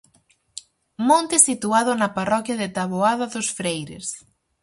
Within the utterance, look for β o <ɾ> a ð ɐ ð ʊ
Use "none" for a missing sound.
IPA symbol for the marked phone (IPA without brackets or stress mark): none